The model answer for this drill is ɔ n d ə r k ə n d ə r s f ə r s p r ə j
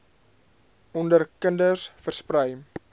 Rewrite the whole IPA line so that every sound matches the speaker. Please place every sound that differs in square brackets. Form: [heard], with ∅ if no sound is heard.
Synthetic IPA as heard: ɔ n d ə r k ə n d ə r s f ə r s p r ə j